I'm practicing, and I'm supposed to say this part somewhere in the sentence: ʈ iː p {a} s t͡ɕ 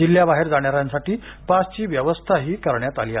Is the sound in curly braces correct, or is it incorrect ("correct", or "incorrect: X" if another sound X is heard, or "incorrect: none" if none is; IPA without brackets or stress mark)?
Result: correct